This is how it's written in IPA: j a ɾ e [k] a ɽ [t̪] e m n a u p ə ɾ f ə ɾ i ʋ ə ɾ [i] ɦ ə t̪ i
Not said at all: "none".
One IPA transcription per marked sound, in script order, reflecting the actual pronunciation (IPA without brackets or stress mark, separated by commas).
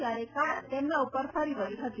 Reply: k, t̪, i